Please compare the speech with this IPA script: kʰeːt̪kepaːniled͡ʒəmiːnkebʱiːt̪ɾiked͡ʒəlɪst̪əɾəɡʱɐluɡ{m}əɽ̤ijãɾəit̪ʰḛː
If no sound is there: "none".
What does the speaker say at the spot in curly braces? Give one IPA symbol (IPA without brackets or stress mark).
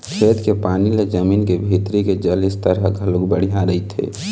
b